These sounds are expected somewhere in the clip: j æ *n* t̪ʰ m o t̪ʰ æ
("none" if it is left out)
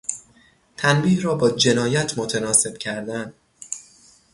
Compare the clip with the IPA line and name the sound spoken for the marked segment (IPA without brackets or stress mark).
none